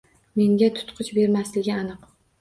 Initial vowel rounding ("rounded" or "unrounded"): unrounded